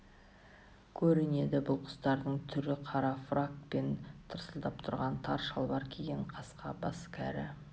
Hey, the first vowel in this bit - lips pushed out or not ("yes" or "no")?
yes